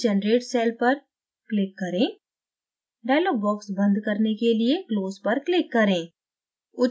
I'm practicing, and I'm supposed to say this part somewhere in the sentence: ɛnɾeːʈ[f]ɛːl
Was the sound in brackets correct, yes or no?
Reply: no